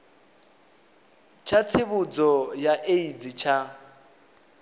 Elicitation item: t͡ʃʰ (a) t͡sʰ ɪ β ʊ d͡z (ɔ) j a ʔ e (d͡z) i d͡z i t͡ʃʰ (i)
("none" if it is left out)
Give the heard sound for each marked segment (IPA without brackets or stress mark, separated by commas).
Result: a, ɔ, none, a